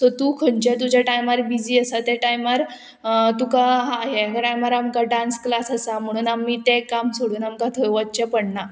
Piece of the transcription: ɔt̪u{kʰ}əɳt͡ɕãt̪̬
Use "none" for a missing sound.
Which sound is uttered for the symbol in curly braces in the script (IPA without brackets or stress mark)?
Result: kʰ